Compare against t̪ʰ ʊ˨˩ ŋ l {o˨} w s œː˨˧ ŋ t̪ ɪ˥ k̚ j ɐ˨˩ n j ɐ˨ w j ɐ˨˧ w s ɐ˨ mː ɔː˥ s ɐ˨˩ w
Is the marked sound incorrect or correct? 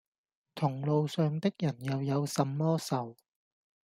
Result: correct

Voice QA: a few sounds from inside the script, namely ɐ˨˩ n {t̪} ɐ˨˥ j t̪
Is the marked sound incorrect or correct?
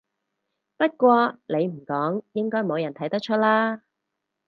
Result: incorrect: t̪ʰ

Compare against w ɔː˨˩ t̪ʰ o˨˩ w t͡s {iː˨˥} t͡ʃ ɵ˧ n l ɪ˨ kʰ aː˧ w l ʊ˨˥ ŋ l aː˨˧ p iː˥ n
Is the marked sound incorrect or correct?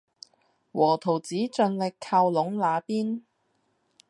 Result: correct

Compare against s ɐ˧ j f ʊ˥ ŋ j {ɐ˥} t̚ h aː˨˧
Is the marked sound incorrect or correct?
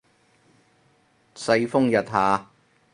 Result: incorrect: ɐ˨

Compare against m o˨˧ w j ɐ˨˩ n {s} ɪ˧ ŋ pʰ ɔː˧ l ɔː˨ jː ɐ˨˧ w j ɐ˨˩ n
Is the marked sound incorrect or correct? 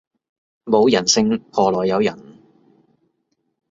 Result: correct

